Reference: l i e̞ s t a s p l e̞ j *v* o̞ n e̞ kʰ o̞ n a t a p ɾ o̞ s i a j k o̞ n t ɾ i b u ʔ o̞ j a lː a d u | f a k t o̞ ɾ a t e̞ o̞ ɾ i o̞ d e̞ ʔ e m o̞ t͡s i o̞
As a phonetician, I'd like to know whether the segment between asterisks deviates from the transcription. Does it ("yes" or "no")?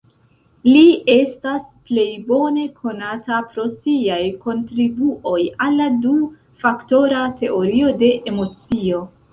yes